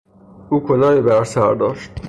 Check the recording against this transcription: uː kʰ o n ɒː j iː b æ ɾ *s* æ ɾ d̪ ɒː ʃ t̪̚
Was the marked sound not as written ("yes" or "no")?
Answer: no